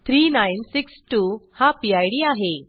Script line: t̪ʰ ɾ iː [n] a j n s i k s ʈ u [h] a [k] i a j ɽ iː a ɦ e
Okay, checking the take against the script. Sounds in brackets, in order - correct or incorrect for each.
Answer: correct, correct, incorrect: p

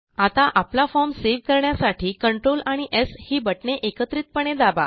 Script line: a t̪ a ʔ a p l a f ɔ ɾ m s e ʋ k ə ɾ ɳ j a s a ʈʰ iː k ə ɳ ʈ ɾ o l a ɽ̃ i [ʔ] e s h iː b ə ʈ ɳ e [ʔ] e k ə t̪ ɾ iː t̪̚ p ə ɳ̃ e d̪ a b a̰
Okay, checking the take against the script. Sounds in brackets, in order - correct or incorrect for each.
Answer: correct, correct

